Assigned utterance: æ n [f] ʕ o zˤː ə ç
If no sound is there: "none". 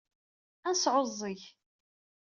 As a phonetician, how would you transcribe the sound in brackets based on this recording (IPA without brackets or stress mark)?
s